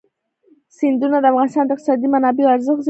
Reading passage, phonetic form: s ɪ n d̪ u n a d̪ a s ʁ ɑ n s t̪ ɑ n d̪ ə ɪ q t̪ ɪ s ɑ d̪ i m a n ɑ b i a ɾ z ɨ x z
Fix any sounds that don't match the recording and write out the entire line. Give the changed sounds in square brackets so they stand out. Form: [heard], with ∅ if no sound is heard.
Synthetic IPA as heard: s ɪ n d̪ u n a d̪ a [f] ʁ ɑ n s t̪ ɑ n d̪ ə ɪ q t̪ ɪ s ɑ d̪ i m a n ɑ b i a ɾ z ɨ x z